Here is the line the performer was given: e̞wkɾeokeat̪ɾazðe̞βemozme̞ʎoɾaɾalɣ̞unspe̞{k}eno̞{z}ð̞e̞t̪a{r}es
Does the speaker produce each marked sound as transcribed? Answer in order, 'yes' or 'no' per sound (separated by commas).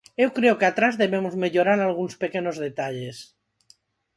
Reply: yes, yes, no